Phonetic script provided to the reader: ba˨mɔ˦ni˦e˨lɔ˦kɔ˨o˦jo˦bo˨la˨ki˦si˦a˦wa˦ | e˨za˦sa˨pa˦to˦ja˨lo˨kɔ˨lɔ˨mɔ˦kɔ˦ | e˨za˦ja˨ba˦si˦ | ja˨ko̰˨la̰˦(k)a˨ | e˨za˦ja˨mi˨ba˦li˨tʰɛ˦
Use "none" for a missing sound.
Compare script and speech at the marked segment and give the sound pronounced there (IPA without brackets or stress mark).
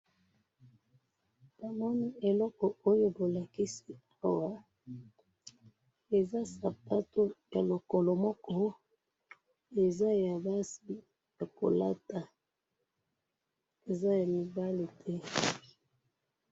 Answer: t